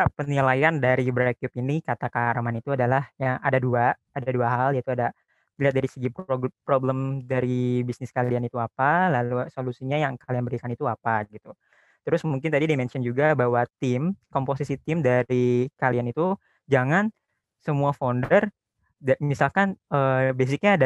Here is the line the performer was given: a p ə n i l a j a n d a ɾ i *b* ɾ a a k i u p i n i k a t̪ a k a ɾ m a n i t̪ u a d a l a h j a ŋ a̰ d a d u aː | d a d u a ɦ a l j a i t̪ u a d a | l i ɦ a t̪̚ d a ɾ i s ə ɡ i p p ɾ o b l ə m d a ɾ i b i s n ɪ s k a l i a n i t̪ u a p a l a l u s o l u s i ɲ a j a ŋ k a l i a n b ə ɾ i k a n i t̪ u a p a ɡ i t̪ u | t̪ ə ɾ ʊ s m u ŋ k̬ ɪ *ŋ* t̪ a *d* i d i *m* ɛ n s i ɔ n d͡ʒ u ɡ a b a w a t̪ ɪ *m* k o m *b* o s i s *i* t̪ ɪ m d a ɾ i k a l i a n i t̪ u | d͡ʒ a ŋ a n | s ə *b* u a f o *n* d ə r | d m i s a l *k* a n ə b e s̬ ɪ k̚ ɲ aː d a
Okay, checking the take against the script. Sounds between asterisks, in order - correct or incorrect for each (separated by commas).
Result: correct, incorrect, correct, correct, correct, incorrect, correct, incorrect, correct, correct